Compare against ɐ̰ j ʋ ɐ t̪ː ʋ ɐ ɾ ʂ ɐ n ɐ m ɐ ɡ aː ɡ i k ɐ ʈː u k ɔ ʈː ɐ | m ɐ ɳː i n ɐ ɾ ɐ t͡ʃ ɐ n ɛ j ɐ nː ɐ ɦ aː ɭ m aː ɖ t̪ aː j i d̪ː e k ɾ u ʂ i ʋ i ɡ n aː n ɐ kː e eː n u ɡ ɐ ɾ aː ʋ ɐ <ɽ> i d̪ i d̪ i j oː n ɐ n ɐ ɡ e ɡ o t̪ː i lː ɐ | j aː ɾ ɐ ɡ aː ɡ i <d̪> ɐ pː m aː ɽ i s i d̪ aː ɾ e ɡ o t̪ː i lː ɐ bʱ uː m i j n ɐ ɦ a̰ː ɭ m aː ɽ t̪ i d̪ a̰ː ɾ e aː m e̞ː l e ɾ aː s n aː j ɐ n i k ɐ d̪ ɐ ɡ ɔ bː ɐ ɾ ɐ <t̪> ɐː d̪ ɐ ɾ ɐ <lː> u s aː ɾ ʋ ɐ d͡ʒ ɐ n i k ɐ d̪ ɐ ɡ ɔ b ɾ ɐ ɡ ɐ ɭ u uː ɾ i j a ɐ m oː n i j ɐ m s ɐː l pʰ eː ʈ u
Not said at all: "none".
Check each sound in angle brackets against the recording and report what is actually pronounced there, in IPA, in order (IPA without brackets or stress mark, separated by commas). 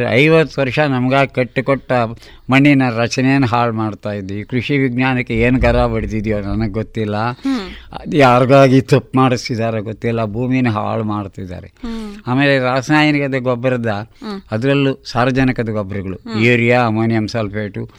ɽ, t̪, d̪, lː